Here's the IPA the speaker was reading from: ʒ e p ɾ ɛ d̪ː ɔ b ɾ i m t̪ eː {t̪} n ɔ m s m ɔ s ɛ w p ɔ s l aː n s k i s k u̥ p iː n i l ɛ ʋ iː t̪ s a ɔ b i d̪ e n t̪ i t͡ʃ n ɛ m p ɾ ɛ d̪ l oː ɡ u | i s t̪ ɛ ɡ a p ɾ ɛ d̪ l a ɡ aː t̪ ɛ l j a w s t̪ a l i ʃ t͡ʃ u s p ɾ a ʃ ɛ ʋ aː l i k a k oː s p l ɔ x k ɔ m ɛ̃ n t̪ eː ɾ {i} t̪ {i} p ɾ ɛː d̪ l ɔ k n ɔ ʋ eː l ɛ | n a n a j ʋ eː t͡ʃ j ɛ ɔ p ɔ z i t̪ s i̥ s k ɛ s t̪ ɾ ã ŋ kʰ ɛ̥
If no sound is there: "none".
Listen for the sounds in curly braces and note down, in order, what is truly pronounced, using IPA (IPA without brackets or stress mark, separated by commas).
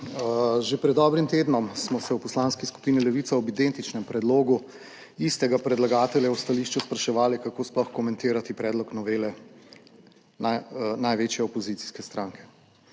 d̪, a, i